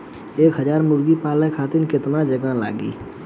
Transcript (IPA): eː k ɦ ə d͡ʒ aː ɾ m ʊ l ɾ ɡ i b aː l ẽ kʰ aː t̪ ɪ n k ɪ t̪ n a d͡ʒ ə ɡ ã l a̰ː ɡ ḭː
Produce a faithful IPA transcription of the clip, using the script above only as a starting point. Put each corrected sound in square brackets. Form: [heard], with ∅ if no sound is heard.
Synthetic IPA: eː k ɦ ə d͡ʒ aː ɾ m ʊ [∅] ɾ ɡ i [p] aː l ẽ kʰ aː t̪ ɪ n k ɪ t̪ n a d͡ʒ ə ɡ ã l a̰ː ɡ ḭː